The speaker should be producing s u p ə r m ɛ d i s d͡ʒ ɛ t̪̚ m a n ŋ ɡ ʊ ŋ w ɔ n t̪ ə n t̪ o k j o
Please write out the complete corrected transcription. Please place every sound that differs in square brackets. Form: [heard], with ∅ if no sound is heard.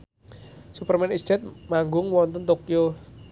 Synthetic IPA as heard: s u p ə r m ɛ [n] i s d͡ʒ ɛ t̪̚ m a [∅] ŋ ɡ ʊ ŋ w ɔ n t̪ ə n t̪ o k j o